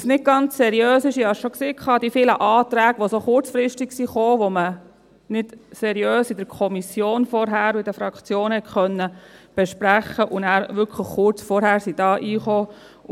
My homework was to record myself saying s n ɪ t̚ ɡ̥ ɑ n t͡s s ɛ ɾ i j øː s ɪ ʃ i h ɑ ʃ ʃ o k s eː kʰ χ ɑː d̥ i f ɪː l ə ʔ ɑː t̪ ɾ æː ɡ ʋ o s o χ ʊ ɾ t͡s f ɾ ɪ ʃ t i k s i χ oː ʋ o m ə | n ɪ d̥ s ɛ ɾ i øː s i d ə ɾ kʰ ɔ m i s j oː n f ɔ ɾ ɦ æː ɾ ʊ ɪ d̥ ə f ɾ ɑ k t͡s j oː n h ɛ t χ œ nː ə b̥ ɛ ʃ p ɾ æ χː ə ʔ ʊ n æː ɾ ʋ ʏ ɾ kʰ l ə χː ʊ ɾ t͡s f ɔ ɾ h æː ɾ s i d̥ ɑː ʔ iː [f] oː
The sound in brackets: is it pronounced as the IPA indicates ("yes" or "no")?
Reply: no